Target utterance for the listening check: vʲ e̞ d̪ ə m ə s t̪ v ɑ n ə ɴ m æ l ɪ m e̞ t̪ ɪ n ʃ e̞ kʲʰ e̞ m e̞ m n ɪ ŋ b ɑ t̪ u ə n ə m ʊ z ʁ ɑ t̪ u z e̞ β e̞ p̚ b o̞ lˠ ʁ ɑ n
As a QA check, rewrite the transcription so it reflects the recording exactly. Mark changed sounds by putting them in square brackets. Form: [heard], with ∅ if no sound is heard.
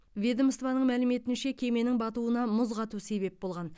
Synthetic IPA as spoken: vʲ e̞ d̪ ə m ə s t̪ v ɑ n ə ɴ m æ l ɪ m e̞ t̪ ɪ n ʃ e̞ kʲʰ e̞ m e̞ [∅] n ɪ ŋ b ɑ t̪ u ə n [ɑ] m ʊ z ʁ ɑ t̪ u [s] e̞ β e̞ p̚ b o̞ lˠ ʁ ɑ n